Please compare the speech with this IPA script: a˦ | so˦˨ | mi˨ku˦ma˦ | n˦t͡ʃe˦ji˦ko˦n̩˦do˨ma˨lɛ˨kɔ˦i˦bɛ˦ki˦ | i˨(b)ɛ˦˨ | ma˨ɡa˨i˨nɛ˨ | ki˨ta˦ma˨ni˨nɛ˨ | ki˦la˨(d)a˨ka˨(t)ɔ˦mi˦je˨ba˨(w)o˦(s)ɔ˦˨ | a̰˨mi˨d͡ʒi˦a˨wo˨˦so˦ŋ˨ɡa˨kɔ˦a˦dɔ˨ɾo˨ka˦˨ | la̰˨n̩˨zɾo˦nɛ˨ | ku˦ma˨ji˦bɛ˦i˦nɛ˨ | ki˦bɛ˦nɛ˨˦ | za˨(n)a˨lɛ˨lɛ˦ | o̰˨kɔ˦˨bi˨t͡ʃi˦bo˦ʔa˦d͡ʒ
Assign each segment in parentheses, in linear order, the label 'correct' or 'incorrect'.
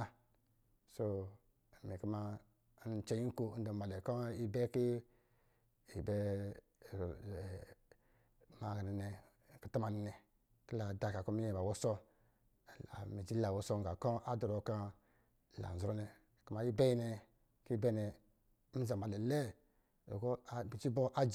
correct, correct, incorrect: k, correct, correct, incorrect: m

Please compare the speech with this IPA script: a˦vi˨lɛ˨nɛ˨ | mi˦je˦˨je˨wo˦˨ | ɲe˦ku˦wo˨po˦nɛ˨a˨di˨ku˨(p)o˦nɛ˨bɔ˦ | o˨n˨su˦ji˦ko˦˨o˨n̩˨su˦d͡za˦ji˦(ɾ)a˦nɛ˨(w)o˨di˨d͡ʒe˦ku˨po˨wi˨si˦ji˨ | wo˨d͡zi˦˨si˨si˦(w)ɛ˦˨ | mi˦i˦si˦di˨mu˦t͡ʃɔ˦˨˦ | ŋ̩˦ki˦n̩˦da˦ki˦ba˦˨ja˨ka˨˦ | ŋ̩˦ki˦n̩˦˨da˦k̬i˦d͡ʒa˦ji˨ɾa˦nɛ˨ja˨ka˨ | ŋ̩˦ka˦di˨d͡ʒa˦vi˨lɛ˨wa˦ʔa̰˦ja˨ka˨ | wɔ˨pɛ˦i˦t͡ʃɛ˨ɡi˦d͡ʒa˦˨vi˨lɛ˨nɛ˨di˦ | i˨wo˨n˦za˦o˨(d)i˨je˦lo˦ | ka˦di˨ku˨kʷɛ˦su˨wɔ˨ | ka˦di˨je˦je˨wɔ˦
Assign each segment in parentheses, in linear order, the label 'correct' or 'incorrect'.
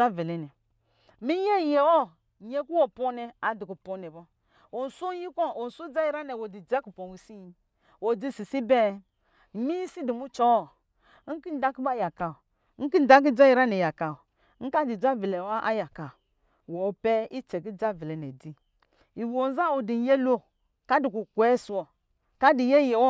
correct, correct, correct, incorrect: b, correct

